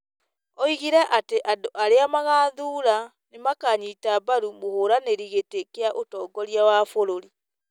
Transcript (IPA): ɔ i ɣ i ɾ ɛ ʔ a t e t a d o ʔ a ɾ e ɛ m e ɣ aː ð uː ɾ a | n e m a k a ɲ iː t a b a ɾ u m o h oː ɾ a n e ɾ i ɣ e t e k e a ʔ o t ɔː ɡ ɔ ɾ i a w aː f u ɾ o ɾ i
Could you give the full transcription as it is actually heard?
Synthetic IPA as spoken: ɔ i ɣ i ɾ ɛ ʔ a t e ʔ a d o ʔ a ɾ e a m a ɣ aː ð uː ɾ a | n e m a k a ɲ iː t a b a ɾ u m o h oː ɾ a n e ɾ i ɣ e t e k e a ʔ o t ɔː ɡ ɔ ɾ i a w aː f o ɾ o ɾ i